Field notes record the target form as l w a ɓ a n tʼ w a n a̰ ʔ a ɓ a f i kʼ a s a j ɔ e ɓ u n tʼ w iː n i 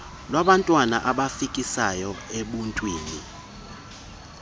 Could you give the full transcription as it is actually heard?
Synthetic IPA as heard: l w a ɓ a n tʼ w a n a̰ ʔ a ɓ a f i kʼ i s a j ɔ e ɓ u n tʼ w iː n i